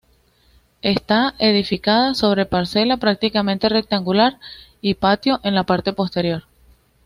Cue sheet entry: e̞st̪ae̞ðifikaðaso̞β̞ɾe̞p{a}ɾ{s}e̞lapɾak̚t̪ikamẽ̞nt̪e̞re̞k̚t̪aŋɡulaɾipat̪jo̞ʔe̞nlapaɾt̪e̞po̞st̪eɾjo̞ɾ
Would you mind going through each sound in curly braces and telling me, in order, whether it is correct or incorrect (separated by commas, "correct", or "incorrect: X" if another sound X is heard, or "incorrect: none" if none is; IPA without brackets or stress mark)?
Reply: correct, correct